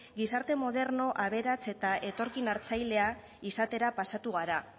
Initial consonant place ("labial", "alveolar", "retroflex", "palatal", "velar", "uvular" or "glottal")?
velar